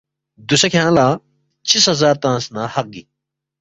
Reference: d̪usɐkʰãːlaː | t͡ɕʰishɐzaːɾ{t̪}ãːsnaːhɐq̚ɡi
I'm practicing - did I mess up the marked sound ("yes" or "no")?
no